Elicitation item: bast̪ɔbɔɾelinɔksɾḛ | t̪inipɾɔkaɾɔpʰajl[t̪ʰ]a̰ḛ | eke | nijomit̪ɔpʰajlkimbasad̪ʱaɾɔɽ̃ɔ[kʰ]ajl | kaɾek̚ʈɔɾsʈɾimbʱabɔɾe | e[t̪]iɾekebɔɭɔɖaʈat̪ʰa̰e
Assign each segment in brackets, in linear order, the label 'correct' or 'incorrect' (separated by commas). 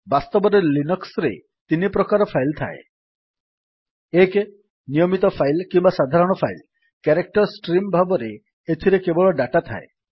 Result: correct, incorrect, incorrect